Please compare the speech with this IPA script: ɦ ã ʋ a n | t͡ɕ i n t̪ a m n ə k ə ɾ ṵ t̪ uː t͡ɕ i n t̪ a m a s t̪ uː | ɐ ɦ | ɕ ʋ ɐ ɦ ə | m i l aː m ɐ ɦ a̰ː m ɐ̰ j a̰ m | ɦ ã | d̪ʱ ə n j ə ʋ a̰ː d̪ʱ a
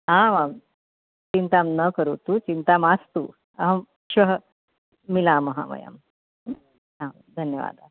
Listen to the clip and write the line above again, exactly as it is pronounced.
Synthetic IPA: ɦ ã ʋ a m | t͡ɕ i n t̪ a m n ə k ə ɾ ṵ t̪ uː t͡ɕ i n t̪ a m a s t̪ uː | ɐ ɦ | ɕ ʋ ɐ ɦ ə | m i l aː m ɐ ɦ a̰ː m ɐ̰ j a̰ m | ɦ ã | d̪ʱ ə n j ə ʋ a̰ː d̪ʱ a

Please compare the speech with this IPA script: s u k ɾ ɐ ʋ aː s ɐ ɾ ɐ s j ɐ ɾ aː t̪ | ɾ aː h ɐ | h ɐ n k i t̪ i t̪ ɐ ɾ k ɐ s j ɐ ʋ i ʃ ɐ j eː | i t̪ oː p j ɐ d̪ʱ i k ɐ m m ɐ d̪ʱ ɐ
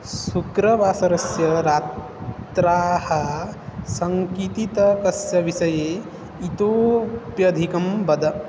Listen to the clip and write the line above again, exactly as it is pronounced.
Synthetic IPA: s u k ɾ ɐ ʋ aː s ɐ ɾ ɐ s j ɐ ɾ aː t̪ | ɾ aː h ɐ | s ɐ ŋ k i t̪ i t̪ ɐ k ɐ s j ɐ ʋ i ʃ ɐ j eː | i t̪ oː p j ɐ d̪ʱ i k ɐ m b ɐ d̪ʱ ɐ

